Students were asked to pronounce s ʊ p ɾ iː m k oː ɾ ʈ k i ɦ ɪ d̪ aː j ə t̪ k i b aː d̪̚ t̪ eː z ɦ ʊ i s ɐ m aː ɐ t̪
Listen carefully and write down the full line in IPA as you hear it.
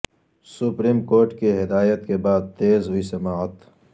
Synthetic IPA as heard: s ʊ p ɾ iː m k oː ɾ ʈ k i ɦ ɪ d̪ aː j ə t̪ k e b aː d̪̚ t̪ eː z ɦ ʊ i s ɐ m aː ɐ t̪